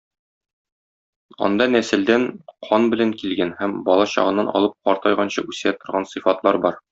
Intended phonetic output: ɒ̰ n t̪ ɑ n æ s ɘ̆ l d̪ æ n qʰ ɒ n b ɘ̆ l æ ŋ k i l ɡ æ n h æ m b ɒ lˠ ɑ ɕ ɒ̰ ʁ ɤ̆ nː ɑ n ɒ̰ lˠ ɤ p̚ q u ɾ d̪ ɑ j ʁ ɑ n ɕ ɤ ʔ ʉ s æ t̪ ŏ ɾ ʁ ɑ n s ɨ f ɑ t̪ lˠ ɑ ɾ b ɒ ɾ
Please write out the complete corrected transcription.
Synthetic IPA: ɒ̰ n d̪ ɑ n æ s ɘ̆ l d̪ æ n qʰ ɒ n b ɘ̆ l æ ŋ k i l ɡ æ n h æ m b ɒ lˠ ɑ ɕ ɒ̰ ʁ ɤ̆ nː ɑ n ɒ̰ lˠ ɤ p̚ q ɒ ɾ t̪ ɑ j ʁ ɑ n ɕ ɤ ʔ ʉ s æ t̪ ŏ ɾ ʁ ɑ n s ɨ f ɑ t̪ lˠ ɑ ɾ b ɒ ɾ